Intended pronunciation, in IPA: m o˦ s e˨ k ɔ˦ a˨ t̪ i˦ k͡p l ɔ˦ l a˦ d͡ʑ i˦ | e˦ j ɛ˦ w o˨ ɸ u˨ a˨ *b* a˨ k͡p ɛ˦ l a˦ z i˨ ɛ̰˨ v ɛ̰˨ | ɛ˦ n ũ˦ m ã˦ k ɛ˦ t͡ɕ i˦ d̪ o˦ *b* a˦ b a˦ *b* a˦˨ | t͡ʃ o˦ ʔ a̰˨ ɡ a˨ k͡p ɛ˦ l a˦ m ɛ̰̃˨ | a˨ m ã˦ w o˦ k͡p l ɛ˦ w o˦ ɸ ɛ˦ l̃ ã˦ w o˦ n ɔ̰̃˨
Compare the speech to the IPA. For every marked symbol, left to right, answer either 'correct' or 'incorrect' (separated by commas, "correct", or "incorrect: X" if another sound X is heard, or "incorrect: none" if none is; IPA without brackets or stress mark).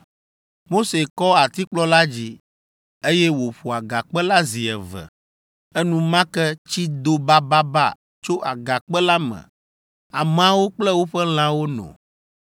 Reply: incorrect: ɡ, correct, correct